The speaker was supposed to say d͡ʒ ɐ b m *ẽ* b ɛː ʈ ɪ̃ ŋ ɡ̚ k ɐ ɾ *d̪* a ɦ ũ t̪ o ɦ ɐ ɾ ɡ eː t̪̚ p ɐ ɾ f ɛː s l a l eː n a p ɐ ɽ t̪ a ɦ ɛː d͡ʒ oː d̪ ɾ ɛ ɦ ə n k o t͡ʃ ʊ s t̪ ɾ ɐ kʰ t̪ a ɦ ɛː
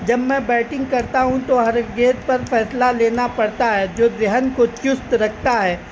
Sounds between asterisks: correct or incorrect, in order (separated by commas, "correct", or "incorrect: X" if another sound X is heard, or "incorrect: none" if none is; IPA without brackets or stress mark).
incorrect: ɛ̃, incorrect: t̪